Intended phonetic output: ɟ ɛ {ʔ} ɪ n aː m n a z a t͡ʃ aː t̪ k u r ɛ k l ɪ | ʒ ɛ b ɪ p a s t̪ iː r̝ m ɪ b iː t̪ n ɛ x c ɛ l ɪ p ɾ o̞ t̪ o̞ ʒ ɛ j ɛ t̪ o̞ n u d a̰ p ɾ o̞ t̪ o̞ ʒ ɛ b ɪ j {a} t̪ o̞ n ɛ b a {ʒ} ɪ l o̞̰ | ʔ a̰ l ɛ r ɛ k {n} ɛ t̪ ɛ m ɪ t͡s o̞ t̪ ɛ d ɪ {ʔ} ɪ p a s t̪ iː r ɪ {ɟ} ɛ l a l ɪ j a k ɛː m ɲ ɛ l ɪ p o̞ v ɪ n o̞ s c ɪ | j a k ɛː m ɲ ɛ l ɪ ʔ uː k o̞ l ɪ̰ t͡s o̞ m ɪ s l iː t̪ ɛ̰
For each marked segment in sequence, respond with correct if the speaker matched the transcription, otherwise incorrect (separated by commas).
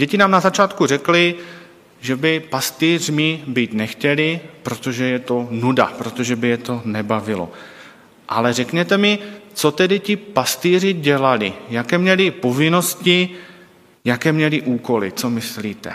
incorrect, incorrect, incorrect, incorrect, incorrect, correct